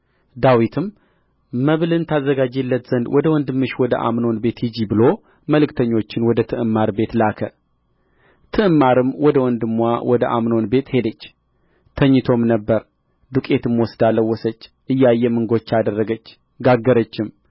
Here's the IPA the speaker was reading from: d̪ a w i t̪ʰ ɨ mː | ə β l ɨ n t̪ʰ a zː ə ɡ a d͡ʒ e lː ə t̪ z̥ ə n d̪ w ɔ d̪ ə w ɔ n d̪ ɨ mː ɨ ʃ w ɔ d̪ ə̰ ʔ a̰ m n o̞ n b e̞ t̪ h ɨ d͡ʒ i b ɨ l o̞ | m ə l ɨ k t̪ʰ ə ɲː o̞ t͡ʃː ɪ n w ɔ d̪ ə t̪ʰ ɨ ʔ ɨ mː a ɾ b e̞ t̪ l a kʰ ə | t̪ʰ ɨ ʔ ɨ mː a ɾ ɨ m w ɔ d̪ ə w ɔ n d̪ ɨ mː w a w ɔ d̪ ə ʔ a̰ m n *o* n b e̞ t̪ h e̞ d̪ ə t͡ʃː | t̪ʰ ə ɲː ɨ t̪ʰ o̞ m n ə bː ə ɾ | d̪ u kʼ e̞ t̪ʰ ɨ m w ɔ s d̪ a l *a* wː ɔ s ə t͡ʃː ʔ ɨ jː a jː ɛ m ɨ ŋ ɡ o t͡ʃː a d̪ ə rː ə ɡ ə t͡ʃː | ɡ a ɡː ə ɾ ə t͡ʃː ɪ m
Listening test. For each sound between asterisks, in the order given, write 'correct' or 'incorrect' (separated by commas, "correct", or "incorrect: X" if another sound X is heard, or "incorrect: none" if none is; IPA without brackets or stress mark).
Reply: correct, incorrect: ə